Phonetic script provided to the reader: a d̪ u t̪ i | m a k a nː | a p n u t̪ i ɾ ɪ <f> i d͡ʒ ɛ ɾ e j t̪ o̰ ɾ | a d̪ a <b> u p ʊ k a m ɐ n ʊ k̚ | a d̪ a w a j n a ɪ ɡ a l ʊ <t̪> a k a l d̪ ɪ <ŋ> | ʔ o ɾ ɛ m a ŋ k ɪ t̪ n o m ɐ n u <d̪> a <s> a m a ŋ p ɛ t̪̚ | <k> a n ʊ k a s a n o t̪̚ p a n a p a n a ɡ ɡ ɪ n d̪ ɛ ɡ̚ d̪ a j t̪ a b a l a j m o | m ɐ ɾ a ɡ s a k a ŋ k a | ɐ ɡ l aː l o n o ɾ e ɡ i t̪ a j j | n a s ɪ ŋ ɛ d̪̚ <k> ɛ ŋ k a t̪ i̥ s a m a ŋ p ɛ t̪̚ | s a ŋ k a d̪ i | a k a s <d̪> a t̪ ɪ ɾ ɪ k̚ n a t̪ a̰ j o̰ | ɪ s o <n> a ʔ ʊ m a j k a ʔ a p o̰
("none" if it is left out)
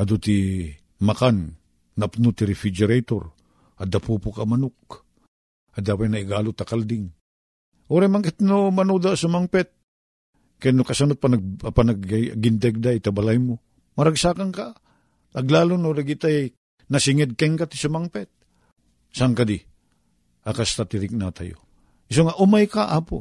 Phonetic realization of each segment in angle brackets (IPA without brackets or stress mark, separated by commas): f, p, t̪, ŋ, d̪, s, k, k, t̪, ŋ